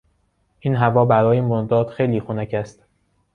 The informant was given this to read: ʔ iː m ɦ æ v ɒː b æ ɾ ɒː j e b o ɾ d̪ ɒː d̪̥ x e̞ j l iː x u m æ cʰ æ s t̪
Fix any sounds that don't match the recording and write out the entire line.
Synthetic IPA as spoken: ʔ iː n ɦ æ v ɒː b æ ɾ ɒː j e m o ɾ d̪ ɒː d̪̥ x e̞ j l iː x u n æ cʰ æ s t̪

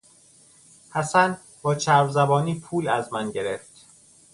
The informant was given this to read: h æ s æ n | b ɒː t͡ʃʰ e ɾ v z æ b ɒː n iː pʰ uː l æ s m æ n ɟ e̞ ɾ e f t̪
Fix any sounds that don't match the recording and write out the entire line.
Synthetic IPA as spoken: h æ s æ n | b ɒː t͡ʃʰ æ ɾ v z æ b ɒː n iː pʰ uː l æ z m æ n ɟ e̞ ɾ e f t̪

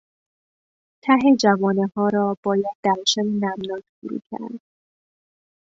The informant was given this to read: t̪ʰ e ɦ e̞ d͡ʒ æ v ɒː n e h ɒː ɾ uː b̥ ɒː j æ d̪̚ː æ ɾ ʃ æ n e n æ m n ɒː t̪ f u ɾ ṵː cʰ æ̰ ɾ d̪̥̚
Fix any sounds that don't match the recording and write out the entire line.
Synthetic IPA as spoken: t̪ʰ æ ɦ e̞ d͡ʒ æ v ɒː n e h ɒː ɾ ɒː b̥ ɒː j æ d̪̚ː æ ɾ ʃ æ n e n æ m n ɒː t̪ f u ɾ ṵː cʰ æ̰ ɾ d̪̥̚

